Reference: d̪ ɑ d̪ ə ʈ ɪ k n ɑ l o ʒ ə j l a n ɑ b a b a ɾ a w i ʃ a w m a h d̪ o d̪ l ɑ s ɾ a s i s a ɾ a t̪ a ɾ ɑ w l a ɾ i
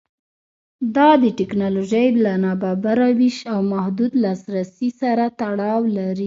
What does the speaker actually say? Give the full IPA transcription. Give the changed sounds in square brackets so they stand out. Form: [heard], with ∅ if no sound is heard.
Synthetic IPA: d̪ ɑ d̪ ə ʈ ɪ k n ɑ l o ʒ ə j l a n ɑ b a b a ɾ a w i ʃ a w m a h d̪ [u] d̪ l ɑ s ɾ a s i s a ɾ a t̪ a [ɽ] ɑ w l a ɾ i